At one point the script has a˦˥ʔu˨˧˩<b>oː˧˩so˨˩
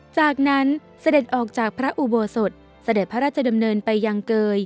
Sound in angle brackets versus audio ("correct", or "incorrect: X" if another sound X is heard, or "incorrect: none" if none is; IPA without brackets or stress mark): correct